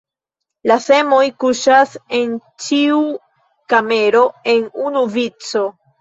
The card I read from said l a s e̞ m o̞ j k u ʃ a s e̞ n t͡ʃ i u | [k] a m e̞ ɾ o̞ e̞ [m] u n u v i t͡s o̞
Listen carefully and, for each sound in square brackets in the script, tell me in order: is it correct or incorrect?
correct, incorrect: n

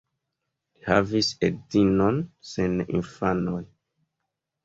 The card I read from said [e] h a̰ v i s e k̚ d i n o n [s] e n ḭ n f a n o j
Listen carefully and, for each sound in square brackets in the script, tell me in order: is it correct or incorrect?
incorrect: i, correct

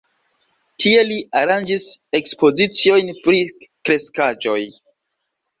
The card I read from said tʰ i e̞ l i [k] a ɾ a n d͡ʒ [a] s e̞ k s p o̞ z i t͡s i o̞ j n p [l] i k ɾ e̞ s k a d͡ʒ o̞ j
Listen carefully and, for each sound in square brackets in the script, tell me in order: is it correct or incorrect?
incorrect: none, incorrect: i, incorrect: ɾ

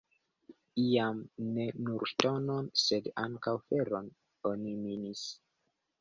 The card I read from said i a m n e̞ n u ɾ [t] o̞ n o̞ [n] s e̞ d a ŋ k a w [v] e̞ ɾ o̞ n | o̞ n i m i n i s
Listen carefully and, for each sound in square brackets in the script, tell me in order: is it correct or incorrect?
correct, correct, incorrect: f

